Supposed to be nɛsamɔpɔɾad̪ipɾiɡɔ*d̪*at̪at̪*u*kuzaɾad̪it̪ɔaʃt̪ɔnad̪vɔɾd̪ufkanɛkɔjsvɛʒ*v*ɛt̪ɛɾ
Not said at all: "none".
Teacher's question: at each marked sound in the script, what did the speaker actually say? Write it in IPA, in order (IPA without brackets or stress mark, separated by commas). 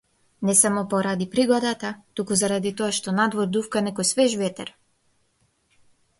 d̪, u, v